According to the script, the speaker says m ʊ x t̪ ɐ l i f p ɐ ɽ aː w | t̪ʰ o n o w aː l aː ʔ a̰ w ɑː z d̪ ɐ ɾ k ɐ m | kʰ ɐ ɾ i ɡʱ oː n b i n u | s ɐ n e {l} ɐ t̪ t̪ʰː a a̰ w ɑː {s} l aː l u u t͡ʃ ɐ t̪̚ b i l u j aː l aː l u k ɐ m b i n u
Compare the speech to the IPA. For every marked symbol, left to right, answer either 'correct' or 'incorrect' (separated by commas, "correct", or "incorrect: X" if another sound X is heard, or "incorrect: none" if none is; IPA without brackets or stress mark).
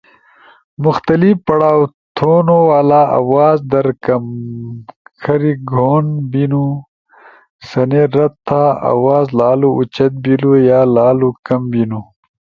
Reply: incorrect: ɾ, incorrect: z